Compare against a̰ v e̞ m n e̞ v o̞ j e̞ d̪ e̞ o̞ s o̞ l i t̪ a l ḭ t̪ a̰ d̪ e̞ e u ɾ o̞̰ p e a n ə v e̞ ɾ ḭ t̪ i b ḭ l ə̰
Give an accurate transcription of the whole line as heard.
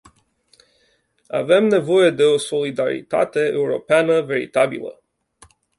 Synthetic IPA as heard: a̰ v e̞ m n e̞ v o̞ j e̞ d̪ e̞ o̞ s o̞ l i d̪ a ɾ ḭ t̪ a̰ t̪ e̞ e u ɾ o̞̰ p e a n ə v e̞ ɾ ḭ t̪ a b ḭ l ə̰